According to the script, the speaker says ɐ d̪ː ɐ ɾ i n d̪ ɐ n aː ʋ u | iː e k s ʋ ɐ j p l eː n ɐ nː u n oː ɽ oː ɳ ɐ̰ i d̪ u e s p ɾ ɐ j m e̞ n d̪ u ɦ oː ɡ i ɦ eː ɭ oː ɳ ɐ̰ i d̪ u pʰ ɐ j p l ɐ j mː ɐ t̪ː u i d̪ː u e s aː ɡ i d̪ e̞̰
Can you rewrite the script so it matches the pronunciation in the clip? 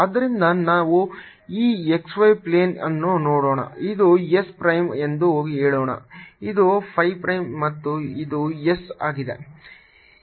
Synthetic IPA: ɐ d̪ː ɐ ɾ i n d̪ ɐ n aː ʋ u | iː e k s ʋ ɐ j p l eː n ɐ nː u n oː ɽ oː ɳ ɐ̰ i d̪ u e s p ɾ ɐ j m e̞ n d̪ u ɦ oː ɡ i ɦ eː ɭ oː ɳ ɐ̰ i d̪ u pʰ ɐ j p ɾ ɐ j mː ɐ t̪ː u i d̪ u e s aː ɡ i d̪ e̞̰